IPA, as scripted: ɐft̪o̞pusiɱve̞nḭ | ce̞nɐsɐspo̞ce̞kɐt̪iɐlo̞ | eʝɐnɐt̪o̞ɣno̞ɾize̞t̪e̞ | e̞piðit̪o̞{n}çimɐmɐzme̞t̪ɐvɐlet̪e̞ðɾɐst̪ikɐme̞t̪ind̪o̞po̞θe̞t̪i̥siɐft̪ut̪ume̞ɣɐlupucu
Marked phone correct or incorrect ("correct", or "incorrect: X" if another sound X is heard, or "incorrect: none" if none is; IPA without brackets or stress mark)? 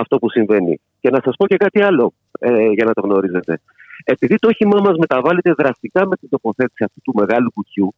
incorrect: none